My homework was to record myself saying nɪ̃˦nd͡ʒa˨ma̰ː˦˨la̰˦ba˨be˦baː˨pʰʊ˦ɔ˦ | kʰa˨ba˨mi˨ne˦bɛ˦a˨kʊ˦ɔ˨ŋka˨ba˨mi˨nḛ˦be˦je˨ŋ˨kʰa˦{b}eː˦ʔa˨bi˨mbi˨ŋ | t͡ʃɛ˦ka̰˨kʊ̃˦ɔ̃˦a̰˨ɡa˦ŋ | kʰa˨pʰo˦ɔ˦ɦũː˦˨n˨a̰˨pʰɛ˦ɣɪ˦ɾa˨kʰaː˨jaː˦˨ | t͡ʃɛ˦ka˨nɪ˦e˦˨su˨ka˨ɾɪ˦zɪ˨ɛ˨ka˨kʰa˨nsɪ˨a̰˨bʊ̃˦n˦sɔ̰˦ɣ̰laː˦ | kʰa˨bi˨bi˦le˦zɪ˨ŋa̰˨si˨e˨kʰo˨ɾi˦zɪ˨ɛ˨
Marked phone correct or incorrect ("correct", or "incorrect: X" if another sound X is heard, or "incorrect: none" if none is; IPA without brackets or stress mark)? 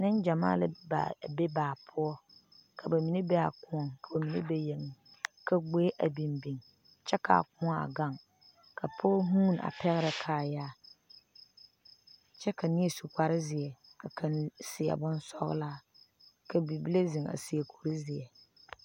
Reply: incorrect: ɡ͡b